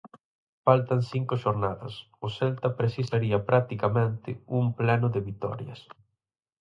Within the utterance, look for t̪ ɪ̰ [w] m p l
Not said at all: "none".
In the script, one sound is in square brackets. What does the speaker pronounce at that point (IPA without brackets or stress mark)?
u